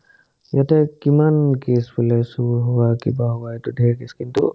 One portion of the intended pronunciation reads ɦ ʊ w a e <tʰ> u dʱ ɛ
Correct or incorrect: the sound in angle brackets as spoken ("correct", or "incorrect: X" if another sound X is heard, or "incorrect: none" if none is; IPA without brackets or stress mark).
incorrect: t